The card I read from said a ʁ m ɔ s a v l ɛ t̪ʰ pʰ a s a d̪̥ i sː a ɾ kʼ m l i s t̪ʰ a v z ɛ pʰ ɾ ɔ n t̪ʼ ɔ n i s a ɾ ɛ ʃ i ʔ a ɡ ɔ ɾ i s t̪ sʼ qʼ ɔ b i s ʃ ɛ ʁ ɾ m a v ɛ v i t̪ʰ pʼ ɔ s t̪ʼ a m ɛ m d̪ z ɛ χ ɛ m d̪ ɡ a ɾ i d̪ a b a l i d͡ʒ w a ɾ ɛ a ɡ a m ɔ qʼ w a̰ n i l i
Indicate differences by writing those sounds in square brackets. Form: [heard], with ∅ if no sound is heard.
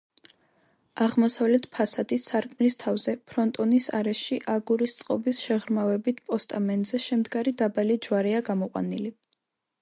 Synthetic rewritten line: a ʁ m ɔ s a v l ɛ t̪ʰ pʰ a s a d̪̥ i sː a ɾ kʼ m l i s t̪ʰ a v z ɛ pʰ ɾ ɔ n t̪ʼ ɔ n i s a ɾ ɛ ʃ i ʔ a ɡ [u] ɾ i s t̪ sʼ qʼ ɔ b i s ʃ ɛ ʁ ɾ m a v ɛ [b] i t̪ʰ pʼ ɔ s t̪ʼ a m ɛ [n] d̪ z ɛ [ʃ] ɛ m d̪ ɡ a ɾ i d̪ a b a l i d͡ʒ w a ɾ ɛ a ɡ a m ɔ qʼ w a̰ n i l i